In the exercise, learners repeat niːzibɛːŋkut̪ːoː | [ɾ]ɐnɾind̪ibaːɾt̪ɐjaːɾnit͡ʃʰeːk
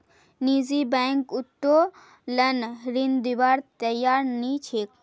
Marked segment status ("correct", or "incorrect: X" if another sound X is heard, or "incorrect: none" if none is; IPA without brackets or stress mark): incorrect: l